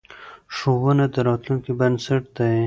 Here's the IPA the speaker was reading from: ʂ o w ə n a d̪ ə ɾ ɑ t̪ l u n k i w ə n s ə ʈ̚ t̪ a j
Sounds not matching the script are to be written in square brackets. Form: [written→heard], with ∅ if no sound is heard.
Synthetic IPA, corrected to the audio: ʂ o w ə n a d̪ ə ɾ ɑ t̪ l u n k i [w→b] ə n s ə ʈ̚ [t̪→d̪] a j